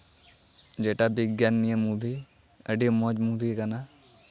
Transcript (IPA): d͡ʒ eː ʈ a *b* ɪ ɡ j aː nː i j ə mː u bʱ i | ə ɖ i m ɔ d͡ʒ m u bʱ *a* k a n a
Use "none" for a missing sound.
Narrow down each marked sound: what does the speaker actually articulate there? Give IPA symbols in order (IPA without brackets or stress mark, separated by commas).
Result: b, i